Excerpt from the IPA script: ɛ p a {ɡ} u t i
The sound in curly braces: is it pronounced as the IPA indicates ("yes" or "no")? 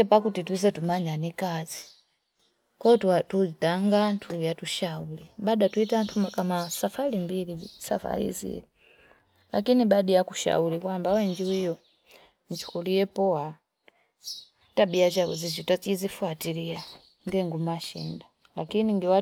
no